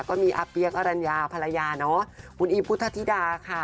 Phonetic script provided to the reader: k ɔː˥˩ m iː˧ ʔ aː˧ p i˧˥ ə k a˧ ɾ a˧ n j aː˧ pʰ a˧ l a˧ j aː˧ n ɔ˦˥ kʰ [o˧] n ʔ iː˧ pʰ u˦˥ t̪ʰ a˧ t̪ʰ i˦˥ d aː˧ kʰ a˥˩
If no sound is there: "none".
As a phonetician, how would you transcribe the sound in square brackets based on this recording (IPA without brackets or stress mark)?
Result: u˧